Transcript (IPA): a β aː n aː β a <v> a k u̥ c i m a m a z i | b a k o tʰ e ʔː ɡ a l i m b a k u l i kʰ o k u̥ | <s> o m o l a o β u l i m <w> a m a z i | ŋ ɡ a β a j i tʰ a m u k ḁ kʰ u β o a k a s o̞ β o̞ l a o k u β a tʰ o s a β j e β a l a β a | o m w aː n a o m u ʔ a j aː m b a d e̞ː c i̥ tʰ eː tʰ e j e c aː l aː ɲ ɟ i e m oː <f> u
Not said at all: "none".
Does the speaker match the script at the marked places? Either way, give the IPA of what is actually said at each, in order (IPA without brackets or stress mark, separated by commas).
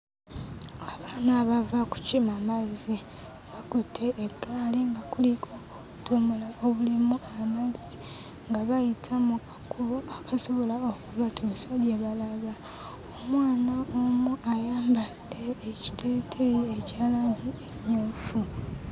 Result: v, t, u, f